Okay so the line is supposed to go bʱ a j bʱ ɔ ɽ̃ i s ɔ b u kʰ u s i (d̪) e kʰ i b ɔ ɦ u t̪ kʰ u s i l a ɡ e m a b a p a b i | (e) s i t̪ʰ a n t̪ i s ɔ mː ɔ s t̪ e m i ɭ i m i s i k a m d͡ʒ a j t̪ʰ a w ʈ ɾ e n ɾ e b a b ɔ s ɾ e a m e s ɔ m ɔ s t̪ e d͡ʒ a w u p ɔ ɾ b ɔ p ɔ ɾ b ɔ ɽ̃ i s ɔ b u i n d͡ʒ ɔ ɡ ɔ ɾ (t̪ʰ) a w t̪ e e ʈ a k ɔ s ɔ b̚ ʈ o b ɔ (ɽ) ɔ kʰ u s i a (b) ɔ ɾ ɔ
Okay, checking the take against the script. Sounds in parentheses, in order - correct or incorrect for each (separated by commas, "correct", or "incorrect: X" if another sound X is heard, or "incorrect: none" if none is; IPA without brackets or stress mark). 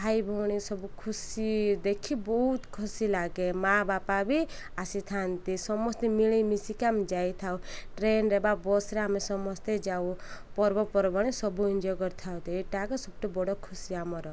correct, incorrect: a, correct, correct, incorrect: m